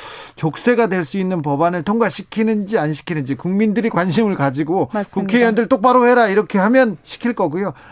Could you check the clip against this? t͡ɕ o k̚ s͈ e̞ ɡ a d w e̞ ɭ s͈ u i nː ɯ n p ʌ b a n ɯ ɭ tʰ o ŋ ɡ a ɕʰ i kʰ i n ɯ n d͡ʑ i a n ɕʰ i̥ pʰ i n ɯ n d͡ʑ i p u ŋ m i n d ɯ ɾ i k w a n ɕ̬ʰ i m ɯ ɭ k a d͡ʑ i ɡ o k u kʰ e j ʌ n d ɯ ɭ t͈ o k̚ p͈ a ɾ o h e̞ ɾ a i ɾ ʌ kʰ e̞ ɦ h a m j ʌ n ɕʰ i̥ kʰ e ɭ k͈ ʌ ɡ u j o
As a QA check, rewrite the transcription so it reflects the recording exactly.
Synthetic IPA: t͡ɕ o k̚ s͈ e̞ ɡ a d w e̞ ɭ s͈ u i nː ɯ n p ʌ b a n ɯ ɭ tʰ o ŋ ɡ a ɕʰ i kʰ i n ɯ n d͡ʑ i a n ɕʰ i̥ kʰ i n ɯ n d͡ʑ i k u ŋ m i n d ɯ ɾ i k w a n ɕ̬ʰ i m ɯ ɭ k a d͡ʑ i ɡ o k u kʰ e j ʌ n d ɯ ɭ t͈ o k̚ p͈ a ɾ o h e̞ ɾ a i ɾ ʌ kʰ e̞ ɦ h a m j ʌ n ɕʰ i̥ kʰ i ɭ k͈ ʌ ɡ u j o